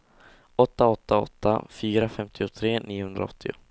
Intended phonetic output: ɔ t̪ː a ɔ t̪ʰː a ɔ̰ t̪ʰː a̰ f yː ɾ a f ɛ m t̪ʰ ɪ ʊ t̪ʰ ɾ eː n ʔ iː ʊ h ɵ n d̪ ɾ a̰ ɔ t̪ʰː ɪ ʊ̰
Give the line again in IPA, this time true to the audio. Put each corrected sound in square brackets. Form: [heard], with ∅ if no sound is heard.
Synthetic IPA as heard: ɔ t̪ː a ɔ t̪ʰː a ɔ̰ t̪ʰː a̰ f yː ɾ a f ɛ m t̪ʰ ɪ ʊ t̪ʰ ɾ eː n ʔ iː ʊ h ɵ n d̪ ɾ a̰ ɔ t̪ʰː ɪ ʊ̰